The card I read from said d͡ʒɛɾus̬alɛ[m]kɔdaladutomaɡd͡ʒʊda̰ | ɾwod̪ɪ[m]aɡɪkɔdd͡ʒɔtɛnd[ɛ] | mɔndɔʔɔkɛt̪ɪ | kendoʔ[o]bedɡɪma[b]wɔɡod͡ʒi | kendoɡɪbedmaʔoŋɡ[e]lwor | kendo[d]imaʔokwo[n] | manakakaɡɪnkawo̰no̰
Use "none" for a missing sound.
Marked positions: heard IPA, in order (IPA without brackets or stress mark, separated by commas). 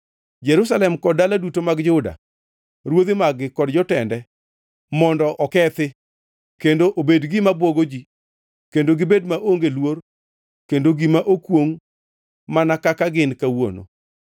m, m, ɛ, o, b, e, ɡ, ŋ